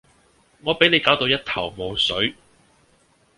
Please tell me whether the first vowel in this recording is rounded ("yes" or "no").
yes